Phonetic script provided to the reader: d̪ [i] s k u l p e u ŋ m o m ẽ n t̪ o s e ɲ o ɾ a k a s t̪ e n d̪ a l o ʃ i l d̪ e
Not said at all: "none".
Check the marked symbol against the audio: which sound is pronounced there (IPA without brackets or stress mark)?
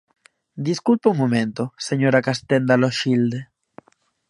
i